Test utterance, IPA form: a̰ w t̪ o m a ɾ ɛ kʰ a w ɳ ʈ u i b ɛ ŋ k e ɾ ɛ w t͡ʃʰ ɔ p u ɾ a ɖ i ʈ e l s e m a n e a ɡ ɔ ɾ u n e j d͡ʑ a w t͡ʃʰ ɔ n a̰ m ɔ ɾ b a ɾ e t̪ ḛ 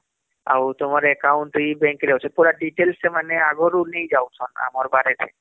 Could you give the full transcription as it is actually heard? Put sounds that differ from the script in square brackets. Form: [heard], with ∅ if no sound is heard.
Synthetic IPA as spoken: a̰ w t̪ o m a ɾ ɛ [k] a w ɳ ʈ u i b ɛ ŋ k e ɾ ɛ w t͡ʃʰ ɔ p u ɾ a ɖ i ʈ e l s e m a n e a ɡ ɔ ɾ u n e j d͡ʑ a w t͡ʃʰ ɔ n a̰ m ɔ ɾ b a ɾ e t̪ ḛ